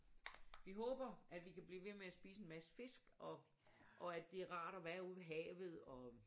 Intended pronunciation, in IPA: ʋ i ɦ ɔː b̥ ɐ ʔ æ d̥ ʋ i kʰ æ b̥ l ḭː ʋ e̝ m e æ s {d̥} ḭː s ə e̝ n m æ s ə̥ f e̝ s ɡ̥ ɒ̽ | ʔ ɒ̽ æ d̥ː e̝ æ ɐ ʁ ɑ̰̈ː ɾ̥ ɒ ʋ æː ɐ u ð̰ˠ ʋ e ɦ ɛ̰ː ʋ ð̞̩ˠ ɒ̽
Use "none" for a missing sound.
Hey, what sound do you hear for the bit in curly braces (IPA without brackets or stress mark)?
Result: b̥